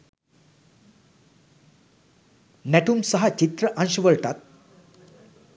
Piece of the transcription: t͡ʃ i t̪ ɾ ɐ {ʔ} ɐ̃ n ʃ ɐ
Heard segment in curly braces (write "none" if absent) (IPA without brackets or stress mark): ʔ